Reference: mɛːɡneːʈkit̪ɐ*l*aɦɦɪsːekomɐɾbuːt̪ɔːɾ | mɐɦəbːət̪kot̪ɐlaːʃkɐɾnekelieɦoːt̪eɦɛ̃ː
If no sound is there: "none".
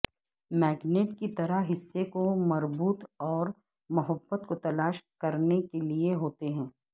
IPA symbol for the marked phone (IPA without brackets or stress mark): ɾ